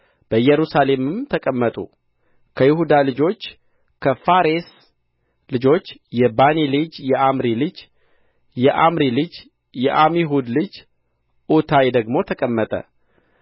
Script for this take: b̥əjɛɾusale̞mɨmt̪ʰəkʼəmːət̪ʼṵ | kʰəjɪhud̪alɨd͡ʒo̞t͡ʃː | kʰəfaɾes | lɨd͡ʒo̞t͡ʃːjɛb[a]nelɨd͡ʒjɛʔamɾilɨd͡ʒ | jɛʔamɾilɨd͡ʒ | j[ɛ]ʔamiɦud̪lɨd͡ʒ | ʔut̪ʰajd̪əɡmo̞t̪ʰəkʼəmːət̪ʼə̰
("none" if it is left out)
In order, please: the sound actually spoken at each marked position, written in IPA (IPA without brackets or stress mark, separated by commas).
a, ɛ